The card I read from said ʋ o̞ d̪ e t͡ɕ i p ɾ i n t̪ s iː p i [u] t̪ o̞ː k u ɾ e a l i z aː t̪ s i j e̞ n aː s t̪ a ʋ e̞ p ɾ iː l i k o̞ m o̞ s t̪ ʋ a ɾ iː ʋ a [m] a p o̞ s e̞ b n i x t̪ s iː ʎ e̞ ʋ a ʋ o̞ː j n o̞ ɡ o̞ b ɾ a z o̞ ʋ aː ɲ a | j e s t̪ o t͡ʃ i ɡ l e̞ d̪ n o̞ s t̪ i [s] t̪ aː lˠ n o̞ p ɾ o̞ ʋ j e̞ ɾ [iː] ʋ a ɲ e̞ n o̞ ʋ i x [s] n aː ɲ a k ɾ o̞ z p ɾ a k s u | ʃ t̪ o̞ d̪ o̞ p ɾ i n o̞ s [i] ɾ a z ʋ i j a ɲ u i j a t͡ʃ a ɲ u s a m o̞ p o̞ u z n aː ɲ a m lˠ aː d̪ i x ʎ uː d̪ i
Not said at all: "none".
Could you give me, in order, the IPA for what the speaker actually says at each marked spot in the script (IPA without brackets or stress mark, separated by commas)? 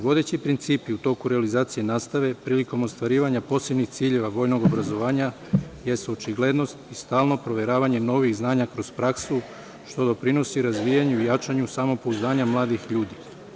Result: u, ɲ, s, aː, z, i